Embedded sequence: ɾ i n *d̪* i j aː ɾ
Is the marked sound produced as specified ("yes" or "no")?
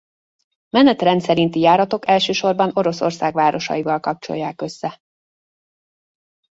no